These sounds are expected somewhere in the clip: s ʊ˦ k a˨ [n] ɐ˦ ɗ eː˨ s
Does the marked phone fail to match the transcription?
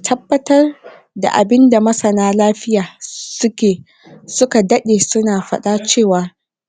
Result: yes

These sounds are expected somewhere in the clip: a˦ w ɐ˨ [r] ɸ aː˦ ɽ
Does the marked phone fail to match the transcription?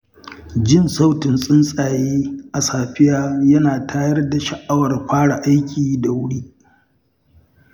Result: no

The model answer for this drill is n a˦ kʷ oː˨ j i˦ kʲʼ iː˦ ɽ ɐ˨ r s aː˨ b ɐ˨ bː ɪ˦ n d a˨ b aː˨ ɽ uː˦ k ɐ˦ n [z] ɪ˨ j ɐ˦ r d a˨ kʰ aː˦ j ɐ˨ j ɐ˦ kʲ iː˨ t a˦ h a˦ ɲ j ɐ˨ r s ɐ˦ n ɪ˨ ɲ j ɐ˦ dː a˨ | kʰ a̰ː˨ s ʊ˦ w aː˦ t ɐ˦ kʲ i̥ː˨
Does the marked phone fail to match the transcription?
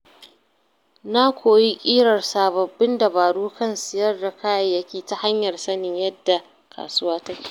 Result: yes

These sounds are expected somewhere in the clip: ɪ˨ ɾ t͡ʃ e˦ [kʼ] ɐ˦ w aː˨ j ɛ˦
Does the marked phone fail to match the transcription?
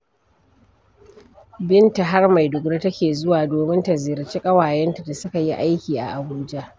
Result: no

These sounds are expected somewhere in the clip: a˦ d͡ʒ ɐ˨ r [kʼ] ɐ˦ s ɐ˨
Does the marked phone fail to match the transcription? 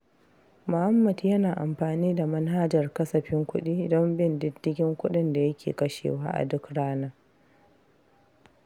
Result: yes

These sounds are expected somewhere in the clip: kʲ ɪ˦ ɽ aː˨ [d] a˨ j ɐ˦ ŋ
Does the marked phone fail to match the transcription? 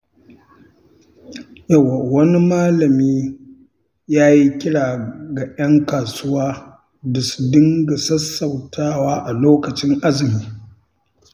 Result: yes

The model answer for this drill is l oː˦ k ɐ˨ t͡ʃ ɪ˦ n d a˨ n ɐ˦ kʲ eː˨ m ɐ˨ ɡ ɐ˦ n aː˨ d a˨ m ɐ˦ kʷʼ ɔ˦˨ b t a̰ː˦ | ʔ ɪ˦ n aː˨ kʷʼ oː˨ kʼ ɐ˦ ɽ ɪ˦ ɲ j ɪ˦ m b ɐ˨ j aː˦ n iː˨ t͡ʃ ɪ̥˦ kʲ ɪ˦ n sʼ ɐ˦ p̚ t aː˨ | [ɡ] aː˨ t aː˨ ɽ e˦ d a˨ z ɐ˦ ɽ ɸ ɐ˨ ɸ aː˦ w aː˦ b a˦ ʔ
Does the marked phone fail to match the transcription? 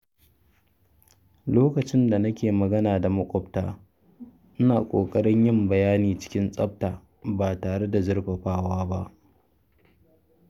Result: yes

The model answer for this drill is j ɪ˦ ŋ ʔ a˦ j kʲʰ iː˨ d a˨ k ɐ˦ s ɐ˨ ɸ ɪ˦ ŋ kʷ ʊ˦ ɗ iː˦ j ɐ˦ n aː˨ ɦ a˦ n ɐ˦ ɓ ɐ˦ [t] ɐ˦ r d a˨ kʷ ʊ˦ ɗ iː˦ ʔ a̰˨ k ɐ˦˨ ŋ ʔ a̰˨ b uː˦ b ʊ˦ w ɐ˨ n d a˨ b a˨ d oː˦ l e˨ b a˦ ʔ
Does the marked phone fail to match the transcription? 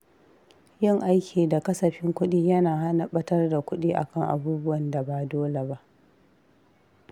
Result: no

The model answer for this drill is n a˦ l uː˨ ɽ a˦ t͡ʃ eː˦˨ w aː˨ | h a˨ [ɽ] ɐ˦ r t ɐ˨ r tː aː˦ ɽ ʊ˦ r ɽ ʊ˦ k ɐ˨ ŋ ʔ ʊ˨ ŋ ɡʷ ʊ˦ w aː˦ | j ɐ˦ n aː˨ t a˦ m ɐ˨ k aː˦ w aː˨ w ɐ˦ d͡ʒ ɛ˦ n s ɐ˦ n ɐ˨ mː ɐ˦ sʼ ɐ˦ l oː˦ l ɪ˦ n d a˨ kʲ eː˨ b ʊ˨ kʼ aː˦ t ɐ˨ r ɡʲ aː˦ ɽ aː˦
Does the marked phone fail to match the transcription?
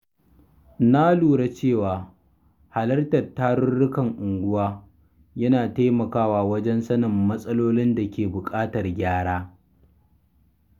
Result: yes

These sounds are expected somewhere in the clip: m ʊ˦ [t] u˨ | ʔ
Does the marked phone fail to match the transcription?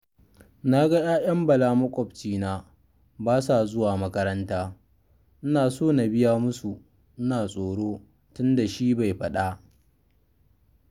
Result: yes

